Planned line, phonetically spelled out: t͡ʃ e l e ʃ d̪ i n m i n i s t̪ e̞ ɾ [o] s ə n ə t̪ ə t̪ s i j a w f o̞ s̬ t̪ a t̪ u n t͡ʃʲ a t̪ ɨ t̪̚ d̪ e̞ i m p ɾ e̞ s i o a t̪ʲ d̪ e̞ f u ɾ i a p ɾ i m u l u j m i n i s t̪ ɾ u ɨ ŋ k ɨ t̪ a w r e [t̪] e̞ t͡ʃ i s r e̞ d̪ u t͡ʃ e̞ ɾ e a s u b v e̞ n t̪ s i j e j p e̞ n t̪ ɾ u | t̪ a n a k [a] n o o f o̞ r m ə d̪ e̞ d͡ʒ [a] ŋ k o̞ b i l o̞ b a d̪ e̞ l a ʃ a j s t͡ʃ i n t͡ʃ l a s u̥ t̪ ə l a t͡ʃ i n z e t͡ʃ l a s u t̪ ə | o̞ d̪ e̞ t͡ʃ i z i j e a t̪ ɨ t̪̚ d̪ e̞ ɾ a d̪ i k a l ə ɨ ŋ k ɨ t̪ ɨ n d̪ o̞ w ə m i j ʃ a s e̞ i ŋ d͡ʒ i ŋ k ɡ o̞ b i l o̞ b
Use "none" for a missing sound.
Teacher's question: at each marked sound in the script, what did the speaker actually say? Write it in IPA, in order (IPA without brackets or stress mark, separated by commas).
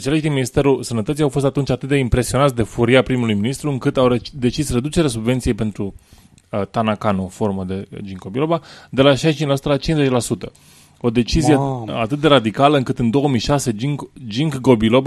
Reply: u, d̪, a, i